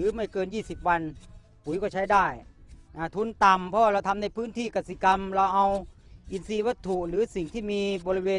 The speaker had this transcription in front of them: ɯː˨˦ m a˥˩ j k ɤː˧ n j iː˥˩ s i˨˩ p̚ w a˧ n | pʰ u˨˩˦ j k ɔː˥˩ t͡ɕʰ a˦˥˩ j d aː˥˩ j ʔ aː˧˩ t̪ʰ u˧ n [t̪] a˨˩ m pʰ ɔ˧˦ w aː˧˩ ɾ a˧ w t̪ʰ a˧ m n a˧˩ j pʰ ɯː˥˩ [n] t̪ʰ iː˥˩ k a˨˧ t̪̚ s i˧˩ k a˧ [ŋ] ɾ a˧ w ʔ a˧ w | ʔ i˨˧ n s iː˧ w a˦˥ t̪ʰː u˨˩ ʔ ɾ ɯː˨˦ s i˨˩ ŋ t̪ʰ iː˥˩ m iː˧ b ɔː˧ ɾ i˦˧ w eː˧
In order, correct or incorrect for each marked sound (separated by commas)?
correct, correct, incorrect